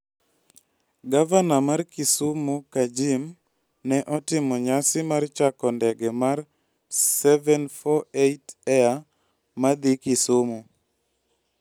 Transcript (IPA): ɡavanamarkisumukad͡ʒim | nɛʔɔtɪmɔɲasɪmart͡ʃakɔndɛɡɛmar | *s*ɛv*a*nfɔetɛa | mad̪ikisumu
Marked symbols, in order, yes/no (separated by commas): yes, no